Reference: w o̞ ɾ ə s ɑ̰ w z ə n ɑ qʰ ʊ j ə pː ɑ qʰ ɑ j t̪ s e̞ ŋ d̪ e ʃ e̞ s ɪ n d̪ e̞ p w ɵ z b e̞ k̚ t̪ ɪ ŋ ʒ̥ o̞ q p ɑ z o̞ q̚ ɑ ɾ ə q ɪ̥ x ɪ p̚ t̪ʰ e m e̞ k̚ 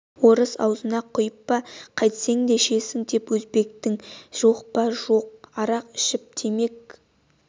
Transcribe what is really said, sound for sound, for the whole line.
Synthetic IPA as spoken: w o̞ ɾ ə s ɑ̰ w z ə n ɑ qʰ ʊ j ə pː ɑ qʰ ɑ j t̪ s e̞ ŋ d̪ e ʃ e̞ s ɪ ŋ d̪ e̞ p w ɵ z b e̞ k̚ t̪ ɪ ŋ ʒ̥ o̞ q p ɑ ʒ o̞ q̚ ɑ ɾ ɑ q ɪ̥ ʃ ɪ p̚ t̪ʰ e m e̞ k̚